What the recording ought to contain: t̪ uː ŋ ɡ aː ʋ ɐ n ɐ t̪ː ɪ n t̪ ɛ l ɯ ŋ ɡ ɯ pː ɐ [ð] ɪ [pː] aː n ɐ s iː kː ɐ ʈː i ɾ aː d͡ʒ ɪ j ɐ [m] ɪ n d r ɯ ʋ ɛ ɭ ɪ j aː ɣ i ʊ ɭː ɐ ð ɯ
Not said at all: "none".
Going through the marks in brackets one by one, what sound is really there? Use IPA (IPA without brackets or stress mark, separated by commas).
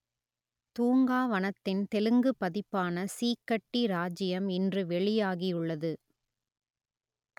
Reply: ð, pː, m